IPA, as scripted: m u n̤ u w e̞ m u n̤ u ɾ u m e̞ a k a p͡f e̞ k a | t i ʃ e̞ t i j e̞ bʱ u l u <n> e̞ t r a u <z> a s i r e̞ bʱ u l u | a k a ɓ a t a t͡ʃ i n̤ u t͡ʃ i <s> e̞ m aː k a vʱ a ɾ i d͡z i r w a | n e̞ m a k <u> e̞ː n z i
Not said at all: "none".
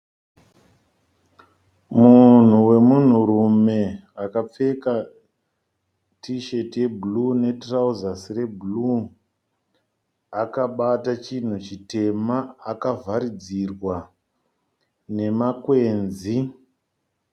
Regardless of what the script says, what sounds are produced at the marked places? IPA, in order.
n, z, t, w

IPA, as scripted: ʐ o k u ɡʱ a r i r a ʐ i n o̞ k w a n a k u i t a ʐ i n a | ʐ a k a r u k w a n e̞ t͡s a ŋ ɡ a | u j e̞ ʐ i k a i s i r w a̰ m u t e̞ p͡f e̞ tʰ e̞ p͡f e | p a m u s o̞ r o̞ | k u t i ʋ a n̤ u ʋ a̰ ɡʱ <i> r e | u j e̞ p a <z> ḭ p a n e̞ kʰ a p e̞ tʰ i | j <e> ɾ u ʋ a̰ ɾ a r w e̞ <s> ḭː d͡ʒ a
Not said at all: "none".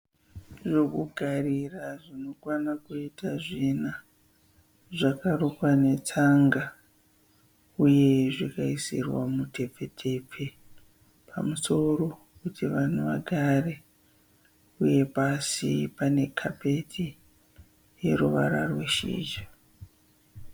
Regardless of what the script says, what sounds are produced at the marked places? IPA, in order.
a, s, e, ʃ

